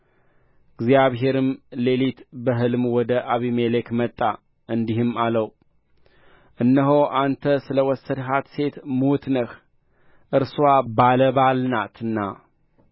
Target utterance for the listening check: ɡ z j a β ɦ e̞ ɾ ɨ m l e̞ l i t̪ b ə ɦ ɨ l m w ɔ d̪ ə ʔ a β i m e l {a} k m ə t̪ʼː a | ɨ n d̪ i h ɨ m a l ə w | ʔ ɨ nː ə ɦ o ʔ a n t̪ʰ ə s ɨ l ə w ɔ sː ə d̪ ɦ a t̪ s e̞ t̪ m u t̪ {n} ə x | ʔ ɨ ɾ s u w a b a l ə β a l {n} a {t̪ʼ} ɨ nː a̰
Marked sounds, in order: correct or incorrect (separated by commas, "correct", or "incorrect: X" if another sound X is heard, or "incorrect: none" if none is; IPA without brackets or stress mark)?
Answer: incorrect: e, correct, correct, incorrect: t̪